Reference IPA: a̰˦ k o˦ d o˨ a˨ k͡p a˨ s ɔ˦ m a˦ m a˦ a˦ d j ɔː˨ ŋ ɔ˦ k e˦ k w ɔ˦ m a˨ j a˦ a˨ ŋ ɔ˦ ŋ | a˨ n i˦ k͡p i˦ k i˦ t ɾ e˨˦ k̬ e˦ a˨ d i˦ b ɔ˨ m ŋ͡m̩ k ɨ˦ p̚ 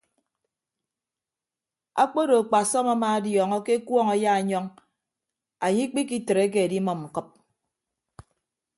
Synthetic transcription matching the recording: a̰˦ k͡p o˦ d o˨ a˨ k͡p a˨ s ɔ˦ m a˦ m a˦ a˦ d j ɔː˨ ŋ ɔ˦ k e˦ k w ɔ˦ ŋ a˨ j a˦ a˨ ɲ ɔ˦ ŋ | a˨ ɲ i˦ k͡p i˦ k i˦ t ɾ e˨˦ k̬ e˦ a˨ d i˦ m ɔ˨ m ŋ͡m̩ k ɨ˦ p̚

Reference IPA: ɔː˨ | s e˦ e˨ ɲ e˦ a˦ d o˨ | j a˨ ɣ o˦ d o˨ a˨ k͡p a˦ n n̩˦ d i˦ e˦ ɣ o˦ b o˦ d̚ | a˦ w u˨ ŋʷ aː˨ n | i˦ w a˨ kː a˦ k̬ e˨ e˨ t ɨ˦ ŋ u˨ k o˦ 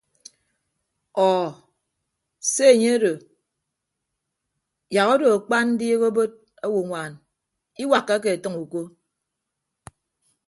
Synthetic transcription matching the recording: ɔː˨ | s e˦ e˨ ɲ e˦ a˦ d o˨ | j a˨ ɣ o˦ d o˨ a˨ k͡p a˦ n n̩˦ d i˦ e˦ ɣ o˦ b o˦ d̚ | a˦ w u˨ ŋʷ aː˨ n | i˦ w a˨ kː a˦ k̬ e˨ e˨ t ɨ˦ ŋ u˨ k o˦

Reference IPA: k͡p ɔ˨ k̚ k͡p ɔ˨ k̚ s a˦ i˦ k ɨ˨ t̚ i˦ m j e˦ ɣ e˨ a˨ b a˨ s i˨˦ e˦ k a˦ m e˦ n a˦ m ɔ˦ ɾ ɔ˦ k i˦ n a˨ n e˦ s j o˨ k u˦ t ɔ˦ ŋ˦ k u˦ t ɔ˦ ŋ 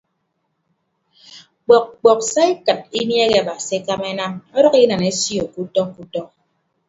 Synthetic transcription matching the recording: k͡p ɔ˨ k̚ k͡p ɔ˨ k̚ s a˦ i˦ k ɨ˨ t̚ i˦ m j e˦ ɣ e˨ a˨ b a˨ s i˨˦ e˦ k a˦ m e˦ n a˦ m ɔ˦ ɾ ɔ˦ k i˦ n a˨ n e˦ s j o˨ k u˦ t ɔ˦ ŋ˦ k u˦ t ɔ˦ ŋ

